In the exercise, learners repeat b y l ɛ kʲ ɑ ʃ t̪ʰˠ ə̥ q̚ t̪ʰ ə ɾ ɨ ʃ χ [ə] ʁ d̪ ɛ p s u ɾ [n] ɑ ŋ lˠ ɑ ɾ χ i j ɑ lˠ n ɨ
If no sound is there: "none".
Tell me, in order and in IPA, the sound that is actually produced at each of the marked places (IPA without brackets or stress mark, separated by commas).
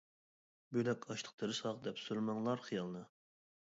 ɑ, m